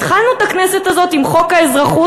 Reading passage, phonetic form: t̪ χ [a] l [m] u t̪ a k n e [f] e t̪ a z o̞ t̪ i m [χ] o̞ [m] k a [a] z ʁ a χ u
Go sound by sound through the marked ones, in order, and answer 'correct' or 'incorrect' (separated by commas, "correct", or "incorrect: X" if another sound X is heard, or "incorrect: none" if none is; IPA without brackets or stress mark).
correct, incorrect: n, incorrect: s, correct, incorrect: none, incorrect: e